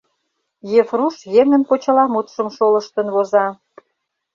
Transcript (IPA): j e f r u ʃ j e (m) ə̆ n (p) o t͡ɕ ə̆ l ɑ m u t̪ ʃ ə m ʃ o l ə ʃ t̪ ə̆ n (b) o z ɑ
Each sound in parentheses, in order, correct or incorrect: incorrect: ŋ, correct, incorrect: β

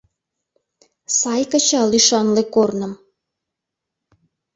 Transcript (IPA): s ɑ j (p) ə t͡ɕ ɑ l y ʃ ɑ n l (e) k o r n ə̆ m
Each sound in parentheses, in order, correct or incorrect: incorrect: k, correct

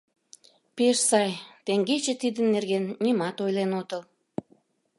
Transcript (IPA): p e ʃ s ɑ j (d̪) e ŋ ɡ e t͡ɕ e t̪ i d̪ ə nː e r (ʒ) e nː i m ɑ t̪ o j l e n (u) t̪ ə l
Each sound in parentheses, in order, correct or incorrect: incorrect: t̪, incorrect: ɣ, incorrect: o

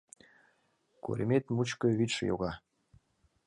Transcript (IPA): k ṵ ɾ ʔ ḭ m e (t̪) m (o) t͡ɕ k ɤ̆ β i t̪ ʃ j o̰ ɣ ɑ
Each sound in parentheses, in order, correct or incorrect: correct, incorrect: u

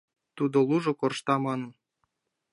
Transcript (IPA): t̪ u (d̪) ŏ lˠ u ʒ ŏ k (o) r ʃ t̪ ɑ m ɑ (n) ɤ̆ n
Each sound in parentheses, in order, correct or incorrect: correct, correct, correct

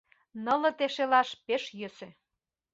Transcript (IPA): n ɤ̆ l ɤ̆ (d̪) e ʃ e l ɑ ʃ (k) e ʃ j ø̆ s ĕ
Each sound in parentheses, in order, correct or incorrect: incorrect: t̪, incorrect: p

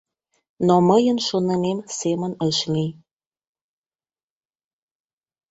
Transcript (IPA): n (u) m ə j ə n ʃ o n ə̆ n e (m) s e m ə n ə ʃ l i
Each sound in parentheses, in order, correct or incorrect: incorrect: o, correct

